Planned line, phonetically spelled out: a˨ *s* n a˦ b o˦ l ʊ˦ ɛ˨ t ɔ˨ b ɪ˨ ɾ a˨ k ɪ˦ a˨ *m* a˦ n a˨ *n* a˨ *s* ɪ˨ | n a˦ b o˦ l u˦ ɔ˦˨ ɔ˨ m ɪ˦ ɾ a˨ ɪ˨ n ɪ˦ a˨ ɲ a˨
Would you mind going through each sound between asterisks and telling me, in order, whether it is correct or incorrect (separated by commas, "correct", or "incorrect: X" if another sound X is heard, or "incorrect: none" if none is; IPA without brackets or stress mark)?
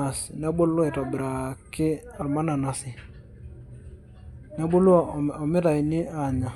correct, correct, correct, correct